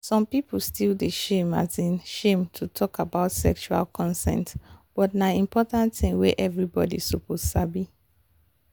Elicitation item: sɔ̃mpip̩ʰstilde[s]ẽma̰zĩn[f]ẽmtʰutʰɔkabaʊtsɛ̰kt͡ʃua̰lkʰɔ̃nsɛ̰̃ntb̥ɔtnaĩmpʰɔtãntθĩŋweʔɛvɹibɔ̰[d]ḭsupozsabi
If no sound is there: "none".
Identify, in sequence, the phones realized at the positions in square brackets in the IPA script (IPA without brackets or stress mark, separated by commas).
ʃ, ʃ, d